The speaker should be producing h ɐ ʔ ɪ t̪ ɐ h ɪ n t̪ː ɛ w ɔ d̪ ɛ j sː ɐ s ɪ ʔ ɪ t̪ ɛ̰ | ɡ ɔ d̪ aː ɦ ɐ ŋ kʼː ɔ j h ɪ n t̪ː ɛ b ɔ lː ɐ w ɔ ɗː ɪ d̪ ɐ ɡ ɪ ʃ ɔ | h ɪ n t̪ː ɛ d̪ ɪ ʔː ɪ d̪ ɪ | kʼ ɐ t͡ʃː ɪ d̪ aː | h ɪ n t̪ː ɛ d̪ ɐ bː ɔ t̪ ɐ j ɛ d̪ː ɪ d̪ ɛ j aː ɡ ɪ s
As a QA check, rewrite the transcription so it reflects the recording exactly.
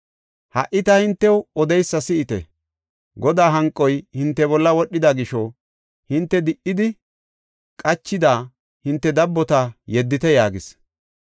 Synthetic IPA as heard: h ɐ ʔ ɪ t̪ ɐ h ɪ n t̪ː ɛ w ɔ d̪ ɛ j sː ɐ s ɪ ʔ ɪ t̪ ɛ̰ | ɡ ɔ d̪ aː ɦ ɐ ŋ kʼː ɔ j h ɪ n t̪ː ɛ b ɔ lː ɐ w ɔ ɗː ɪ d̪ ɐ ɡ ɪ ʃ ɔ | h ɪ n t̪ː ɛ d̪ ɪ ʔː ɪ d̪ ɪ | kʼ ɐ t͡ʃː ɪ d̪ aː | h ɪ n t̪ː ɛ d̪ ɐ bː ɔ t̪ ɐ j ɛ d̪ː ɪ t̪ ɛ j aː ɡ ɪ s